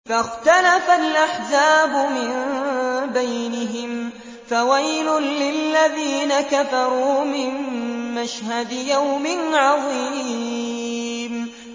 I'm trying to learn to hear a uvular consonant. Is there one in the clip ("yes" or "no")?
no